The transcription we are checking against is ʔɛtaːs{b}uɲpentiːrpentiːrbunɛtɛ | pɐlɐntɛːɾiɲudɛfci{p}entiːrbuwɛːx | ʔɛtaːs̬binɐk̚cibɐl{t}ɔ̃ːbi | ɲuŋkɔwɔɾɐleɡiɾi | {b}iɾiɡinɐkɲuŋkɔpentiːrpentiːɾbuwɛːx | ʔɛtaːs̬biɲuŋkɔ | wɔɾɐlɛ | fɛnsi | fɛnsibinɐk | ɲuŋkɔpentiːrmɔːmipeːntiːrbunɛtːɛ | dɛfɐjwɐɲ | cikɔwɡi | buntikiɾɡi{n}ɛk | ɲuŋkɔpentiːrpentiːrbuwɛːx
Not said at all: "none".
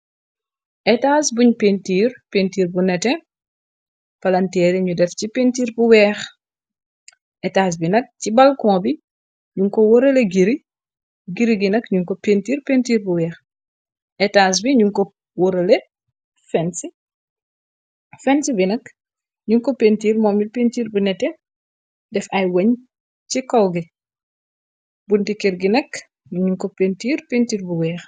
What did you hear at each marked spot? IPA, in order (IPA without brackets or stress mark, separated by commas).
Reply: b, p, k, ɡ, n